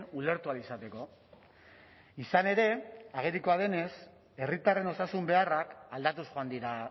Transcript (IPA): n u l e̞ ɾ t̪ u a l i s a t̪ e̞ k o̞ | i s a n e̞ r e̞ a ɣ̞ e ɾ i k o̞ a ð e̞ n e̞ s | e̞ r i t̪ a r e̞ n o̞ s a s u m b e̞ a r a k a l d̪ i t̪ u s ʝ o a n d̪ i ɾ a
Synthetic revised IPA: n u l e̞ ɾ t̪ u a l i s a t̪ e̞ k o̞ | i s a n e̞ ɾ e̞ a ɣ̞ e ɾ i k o̞ a ð e̞ n e̞ s | e̞ r i t̪ a r e̞ n o̞ s a s u m b e̞ a r a k a l d̪ a t̪ u s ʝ o a n d̪ i ɾ a